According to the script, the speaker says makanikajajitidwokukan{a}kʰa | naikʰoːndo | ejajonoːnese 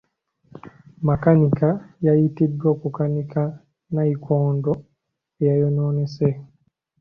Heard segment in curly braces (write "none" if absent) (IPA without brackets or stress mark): i